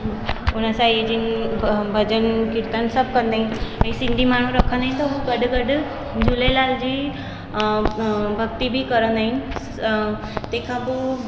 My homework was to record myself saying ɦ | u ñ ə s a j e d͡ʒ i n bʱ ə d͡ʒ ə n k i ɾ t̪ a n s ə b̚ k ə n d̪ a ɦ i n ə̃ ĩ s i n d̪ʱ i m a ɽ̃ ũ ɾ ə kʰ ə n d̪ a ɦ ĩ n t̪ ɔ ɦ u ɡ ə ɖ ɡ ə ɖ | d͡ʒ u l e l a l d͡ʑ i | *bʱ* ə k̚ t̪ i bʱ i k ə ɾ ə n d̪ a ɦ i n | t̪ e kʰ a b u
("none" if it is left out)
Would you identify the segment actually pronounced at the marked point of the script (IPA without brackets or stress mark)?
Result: bʱ